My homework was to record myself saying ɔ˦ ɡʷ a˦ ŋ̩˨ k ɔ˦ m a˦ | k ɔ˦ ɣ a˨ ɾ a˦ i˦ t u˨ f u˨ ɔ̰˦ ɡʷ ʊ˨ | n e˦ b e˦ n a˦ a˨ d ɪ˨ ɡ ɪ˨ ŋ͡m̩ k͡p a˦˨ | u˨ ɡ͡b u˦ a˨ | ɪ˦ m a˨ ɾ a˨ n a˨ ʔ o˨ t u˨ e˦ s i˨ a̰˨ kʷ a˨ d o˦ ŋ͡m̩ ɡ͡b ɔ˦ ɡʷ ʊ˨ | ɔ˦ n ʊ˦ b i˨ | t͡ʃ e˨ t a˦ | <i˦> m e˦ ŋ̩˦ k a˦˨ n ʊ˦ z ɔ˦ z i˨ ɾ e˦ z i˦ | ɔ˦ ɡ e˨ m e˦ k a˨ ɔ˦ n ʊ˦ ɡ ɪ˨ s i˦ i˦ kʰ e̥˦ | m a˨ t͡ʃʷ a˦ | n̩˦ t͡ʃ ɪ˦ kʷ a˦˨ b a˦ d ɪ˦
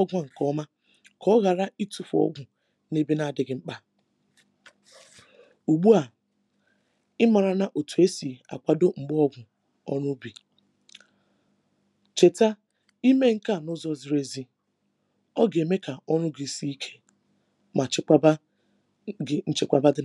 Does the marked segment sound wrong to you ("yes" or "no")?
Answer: no